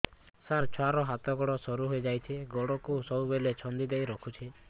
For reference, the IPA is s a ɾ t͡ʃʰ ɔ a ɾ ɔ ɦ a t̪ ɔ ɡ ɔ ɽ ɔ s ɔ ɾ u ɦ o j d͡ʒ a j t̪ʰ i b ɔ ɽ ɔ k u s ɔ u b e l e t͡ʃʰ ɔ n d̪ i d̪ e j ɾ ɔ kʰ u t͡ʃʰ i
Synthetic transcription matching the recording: s a ɾ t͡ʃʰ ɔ a ɾ ɔ ɦ a t̪ ɔ ɡ ɔ ɽ ɔ s ɔ ɾ u ɦ o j d͡ʒ a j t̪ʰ i ɡ ɔ ɽ ɔ k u s ɔ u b e l e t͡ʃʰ ɔ n d̪ i d̪ e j ɾ ɔ kʰ u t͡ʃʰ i